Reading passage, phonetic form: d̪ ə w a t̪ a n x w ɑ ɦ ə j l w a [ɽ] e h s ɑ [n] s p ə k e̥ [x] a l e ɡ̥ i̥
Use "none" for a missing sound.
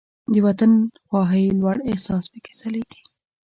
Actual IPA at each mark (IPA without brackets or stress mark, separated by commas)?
ɽ, none, s